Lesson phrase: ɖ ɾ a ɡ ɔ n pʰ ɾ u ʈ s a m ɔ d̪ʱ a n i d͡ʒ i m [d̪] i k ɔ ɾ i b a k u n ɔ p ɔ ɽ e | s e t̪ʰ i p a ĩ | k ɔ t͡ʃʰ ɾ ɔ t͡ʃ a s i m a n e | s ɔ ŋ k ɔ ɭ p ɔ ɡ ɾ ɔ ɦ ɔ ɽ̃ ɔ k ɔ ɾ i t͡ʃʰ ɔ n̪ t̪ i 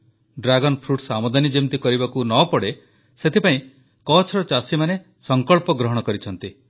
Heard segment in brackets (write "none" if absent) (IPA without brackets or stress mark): t̪